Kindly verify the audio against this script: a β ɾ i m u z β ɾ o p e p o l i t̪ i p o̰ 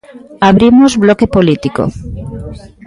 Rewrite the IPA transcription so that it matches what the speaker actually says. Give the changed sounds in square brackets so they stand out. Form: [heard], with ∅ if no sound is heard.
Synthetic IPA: a β ɾ i m [o] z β [l] o [k] e p o l i t̪ i [k] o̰